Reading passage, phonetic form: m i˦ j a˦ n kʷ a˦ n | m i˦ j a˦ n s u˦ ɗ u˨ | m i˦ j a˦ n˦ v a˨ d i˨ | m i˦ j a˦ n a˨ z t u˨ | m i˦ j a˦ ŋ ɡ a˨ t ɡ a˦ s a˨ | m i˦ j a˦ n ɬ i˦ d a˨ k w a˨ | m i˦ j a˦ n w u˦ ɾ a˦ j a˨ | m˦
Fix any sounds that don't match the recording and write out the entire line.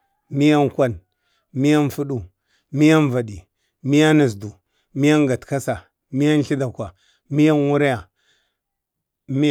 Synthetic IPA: m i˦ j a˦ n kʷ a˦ n | m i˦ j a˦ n f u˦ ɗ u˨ | m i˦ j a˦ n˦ v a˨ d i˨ | m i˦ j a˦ n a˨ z d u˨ | m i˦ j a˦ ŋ ɡ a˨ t k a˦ s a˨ | m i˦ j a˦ n ɬ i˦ d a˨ k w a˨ | m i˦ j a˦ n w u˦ ɾ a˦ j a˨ | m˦